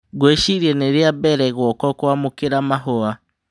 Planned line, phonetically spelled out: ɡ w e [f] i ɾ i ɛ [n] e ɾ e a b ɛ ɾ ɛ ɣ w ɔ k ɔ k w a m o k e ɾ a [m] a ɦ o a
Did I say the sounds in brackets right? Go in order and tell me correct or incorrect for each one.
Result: incorrect: ʃ, correct, correct

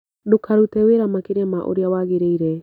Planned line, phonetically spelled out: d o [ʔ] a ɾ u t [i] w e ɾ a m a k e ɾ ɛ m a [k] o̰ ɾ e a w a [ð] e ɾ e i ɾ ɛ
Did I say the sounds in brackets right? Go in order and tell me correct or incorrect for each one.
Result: incorrect: k, incorrect: ɛ, incorrect: ʔ, incorrect: ɣ

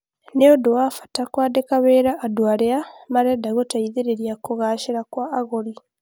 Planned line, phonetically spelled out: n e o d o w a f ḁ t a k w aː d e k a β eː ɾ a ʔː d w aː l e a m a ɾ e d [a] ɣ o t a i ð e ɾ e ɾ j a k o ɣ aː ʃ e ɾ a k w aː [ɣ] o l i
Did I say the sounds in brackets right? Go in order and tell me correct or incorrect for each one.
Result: correct, correct

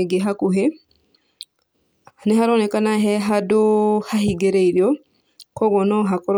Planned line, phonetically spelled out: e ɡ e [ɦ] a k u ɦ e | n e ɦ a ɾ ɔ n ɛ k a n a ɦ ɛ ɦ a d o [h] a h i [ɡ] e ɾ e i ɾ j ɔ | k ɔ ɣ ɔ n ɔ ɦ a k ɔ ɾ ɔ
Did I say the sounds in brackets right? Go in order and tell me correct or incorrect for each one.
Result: correct, correct, correct

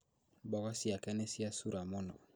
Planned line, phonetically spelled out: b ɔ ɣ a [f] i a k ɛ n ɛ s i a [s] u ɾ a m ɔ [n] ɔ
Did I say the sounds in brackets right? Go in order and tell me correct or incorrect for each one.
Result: incorrect: s, correct, correct

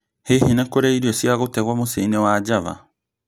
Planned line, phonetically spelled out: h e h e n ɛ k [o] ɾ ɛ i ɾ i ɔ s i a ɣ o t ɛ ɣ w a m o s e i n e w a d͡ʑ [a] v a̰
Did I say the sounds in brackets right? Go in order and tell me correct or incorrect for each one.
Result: correct, correct

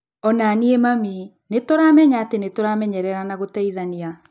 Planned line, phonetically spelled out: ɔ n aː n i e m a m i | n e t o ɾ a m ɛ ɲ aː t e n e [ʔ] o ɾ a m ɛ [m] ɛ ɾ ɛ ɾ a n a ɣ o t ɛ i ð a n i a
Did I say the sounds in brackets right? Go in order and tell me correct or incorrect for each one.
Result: incorrect: t, incorrect: ɲ

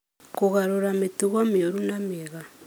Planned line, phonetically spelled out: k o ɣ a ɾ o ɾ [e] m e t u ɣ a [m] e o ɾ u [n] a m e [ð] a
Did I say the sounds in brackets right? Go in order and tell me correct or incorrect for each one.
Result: incorrect: a, correct, correct, incorrect: ɣ

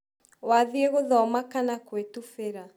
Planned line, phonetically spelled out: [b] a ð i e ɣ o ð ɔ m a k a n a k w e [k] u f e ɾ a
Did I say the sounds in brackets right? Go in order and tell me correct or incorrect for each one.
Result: incorrect: w, incorrect: t

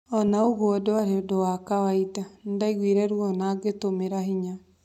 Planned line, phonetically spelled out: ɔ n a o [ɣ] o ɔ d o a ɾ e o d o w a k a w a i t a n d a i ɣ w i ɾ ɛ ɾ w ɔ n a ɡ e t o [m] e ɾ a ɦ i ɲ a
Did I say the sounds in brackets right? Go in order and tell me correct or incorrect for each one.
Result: correct, correct

